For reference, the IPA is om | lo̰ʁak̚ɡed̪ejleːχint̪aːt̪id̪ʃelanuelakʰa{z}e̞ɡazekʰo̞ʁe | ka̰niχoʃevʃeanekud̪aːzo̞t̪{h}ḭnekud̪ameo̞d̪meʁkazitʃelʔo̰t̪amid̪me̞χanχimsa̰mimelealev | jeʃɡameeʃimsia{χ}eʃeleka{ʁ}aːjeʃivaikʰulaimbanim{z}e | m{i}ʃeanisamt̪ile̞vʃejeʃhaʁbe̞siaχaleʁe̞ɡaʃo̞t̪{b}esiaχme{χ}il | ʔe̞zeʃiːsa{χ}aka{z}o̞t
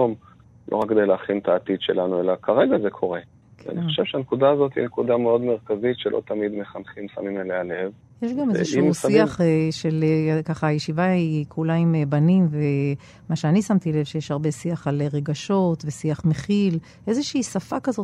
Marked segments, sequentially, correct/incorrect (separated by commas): incorrect, correct, correct, incorrect, incorrect, incorrect, incorrect, correct, incorrect, correct